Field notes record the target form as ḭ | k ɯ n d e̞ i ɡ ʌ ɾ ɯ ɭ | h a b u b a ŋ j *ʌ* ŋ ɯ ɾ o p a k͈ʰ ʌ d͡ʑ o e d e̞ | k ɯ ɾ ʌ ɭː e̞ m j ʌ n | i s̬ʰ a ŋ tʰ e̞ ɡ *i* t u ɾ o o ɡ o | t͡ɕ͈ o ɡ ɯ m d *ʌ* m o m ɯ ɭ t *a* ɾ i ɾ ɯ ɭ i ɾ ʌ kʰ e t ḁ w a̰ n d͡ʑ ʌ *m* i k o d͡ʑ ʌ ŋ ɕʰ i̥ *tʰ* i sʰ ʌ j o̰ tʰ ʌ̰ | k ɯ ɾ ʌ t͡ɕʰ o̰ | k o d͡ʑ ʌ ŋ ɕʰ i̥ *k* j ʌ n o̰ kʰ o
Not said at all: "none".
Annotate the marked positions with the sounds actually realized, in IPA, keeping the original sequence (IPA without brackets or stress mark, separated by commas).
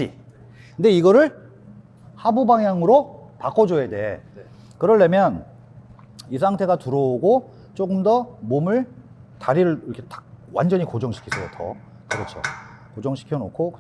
a, a, ʌ, a, ɲ, kʰ, kʰ